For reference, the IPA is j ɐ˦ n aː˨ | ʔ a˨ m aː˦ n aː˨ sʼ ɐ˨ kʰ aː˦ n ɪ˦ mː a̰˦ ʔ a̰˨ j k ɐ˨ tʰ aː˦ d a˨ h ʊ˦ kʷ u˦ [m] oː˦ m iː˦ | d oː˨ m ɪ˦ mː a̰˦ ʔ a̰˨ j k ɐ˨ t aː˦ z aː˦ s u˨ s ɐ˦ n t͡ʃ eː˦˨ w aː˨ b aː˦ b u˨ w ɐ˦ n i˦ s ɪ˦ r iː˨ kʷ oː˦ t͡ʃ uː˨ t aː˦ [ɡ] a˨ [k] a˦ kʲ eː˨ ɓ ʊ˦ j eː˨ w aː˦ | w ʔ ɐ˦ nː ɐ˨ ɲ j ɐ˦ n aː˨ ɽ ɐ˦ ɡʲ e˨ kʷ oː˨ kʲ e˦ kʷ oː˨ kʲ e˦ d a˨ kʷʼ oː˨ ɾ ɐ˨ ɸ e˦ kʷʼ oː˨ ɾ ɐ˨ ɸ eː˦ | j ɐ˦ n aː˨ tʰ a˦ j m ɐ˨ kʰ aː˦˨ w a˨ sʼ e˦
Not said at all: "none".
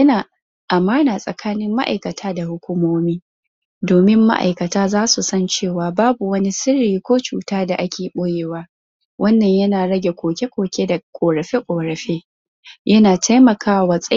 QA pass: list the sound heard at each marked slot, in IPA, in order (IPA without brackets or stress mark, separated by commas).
m, d, ʔ